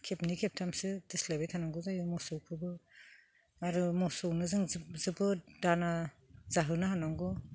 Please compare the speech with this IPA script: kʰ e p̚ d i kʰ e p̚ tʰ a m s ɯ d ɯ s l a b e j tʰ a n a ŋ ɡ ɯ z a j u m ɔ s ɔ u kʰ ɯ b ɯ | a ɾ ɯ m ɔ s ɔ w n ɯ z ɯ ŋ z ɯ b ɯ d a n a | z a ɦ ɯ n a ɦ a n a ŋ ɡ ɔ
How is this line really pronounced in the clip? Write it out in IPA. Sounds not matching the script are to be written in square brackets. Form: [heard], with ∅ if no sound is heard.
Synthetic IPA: kʰ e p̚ [n] i kʰ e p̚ tʰ a m s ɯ d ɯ s l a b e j tʰ a n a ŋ ɡ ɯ z a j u m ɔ s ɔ [w] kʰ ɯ b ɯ | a ɾ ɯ m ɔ s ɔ w n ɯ z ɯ ŋ z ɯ b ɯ d a n a | z a ɦ ɯ n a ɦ a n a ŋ ɡ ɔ